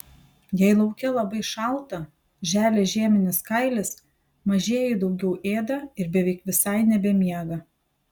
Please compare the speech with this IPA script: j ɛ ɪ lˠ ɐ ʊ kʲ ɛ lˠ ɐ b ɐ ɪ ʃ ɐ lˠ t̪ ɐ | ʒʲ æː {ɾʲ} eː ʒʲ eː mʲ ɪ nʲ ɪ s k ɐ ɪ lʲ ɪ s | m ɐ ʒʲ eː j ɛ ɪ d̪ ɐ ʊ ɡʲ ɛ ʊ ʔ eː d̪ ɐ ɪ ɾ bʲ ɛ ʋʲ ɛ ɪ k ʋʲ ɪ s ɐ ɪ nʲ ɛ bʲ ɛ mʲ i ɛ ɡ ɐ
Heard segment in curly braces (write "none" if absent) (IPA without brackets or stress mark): lʲ